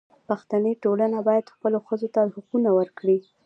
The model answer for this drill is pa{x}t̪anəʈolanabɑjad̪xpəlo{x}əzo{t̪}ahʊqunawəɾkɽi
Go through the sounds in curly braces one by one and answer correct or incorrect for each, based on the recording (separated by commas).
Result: correct, correct, correct